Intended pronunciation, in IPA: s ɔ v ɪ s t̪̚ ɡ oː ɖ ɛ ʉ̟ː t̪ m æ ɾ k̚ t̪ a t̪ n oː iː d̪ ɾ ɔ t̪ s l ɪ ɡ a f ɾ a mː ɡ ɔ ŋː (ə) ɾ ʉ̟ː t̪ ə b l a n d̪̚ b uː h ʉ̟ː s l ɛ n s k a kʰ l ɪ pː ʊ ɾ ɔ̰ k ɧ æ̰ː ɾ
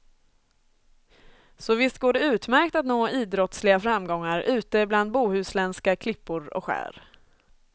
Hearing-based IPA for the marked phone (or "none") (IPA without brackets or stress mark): a